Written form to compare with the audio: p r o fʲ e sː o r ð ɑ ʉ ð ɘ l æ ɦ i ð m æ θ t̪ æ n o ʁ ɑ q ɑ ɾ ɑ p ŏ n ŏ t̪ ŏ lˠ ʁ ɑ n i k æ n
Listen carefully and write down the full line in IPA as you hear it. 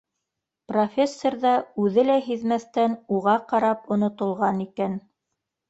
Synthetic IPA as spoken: p r o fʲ e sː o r ð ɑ ʉ ð ɘ l æ ɦ i ð m æ θ t̪ æ n u ʁ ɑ q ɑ ɾ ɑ p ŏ n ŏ t̪ ŏ lˠ ʁ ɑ n i k æ n